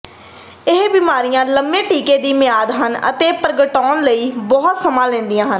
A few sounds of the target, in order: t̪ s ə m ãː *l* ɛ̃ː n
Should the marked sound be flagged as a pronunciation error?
no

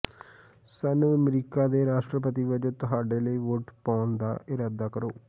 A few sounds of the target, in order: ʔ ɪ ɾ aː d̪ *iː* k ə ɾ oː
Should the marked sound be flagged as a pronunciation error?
yes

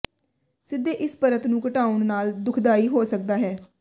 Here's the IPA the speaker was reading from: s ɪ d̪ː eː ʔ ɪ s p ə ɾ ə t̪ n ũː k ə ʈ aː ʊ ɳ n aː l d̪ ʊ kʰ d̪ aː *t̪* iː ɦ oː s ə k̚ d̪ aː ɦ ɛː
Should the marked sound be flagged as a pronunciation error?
yes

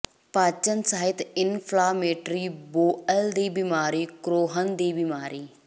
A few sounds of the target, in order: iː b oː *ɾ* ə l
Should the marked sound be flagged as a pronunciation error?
yes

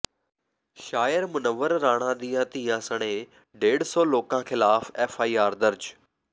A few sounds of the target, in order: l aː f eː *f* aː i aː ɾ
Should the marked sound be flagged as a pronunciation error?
no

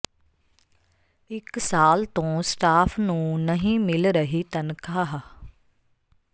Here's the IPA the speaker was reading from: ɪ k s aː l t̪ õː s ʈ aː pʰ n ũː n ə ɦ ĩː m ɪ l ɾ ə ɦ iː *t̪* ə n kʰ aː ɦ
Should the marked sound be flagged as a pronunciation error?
no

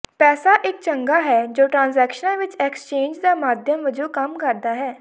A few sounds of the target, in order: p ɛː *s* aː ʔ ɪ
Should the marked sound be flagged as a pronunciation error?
no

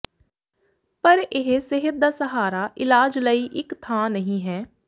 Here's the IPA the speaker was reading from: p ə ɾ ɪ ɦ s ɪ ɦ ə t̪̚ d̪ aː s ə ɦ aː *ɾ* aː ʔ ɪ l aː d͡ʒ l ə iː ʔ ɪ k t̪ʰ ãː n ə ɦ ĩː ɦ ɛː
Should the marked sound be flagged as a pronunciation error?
no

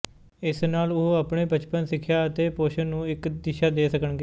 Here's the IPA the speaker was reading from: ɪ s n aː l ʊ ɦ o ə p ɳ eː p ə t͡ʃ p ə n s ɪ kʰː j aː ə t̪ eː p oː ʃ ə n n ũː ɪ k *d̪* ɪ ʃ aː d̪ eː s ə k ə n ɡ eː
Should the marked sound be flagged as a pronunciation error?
no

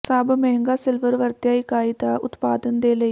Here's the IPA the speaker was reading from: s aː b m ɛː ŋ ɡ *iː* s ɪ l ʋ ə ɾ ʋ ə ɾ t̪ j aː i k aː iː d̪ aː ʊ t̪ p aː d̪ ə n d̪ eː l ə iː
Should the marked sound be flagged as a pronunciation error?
yes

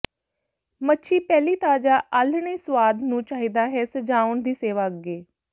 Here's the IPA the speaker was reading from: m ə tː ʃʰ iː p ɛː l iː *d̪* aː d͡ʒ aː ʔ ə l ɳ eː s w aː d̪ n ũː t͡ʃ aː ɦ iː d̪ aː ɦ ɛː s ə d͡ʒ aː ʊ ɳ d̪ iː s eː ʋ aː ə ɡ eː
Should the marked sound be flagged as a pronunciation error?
yes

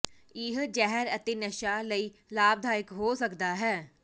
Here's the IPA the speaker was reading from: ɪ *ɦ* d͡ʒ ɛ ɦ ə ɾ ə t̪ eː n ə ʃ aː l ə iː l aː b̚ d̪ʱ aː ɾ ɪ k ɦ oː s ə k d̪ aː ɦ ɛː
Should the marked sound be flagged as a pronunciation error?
no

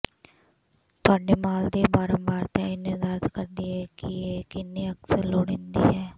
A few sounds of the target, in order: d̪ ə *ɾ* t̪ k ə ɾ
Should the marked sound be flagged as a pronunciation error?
no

